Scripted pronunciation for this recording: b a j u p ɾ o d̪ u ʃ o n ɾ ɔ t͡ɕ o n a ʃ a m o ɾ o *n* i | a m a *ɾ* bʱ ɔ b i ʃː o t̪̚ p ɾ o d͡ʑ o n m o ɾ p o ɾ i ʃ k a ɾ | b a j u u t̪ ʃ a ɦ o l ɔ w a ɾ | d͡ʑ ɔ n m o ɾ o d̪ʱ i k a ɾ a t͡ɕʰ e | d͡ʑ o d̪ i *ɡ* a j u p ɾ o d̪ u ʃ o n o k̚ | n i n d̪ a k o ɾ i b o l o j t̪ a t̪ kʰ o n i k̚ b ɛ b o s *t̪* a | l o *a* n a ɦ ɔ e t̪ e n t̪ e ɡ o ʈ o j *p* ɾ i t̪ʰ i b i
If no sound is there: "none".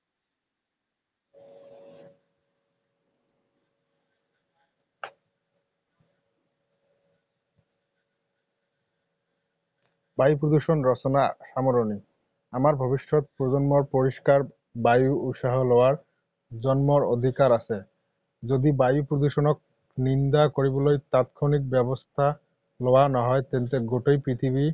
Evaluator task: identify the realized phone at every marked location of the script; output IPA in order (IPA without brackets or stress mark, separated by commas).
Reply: n, ɾ, b, t̪ʰ, a, p